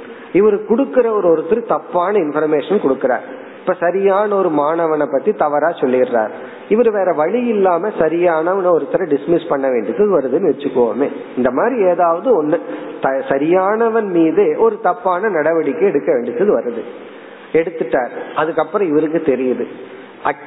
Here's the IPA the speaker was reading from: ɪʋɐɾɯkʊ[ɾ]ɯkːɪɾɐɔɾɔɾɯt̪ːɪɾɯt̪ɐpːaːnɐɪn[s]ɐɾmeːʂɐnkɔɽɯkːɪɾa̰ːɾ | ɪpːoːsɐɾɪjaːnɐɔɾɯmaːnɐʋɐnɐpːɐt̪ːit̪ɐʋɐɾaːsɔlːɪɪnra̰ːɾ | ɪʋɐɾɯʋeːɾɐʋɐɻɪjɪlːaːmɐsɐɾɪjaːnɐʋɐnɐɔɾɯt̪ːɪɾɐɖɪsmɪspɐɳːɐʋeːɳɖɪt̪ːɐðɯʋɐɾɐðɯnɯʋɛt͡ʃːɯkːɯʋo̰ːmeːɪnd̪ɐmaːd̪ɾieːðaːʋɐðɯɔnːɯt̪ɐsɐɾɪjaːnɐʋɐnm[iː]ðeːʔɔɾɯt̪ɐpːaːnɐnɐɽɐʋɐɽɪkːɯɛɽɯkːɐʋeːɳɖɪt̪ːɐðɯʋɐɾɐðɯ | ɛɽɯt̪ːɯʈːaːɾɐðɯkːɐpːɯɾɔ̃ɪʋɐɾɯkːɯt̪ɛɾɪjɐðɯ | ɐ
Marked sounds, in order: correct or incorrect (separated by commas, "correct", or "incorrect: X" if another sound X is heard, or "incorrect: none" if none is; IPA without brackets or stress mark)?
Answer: incorrect: ɽ, incorrect: f, correct